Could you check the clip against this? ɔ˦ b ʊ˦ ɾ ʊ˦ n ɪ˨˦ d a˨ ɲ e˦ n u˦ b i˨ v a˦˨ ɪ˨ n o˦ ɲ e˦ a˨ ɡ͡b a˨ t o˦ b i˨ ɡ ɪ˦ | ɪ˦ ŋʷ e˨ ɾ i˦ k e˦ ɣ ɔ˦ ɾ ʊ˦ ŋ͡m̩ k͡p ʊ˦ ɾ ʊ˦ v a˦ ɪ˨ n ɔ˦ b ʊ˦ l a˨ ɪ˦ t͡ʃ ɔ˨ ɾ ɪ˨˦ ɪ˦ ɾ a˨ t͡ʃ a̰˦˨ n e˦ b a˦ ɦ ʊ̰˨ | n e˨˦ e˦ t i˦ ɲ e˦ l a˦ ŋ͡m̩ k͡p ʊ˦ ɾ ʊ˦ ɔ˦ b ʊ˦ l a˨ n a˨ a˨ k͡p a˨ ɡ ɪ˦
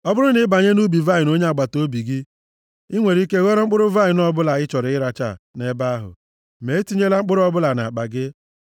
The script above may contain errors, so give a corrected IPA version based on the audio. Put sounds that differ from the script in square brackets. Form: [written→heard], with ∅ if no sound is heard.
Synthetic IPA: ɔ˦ b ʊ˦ ɾ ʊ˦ n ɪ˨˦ [d→b] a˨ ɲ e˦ n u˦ b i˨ v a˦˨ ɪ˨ n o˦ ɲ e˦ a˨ ɡ͡b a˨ t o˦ b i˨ ɡ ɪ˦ | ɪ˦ ŋʷ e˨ ɾ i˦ k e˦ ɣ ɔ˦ ɾ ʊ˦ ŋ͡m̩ k͡p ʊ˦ ɾ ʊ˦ v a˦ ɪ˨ n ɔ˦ b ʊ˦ l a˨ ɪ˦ t͡ʃ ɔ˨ ɾ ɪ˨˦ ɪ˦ ɾ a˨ t͡ʃ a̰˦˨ n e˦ b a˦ ɦ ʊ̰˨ | [n→m] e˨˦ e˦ t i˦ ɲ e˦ l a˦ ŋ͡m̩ k͡p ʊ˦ ɾ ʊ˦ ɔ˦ b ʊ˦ l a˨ n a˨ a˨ k͡p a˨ ɡ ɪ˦